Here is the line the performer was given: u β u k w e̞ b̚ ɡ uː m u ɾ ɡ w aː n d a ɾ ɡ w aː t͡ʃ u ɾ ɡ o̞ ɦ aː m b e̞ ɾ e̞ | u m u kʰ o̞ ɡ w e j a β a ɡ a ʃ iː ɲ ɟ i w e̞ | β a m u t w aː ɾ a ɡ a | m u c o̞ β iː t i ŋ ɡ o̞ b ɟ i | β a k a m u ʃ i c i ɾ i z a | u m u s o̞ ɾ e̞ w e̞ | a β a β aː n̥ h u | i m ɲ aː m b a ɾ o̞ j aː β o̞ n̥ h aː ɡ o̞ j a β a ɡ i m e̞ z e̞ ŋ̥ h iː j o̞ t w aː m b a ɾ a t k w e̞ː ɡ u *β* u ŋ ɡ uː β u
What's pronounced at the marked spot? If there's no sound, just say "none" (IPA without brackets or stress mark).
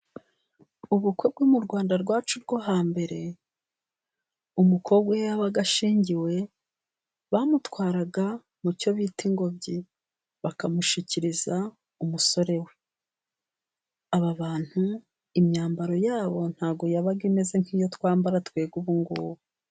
β